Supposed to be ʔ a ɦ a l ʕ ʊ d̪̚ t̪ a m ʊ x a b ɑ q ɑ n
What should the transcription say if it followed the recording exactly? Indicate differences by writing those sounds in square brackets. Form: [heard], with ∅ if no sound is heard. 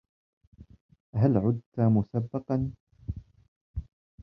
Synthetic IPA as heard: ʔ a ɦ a l ʕ ʊ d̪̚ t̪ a m ʊ [s] a [bː] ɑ q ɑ n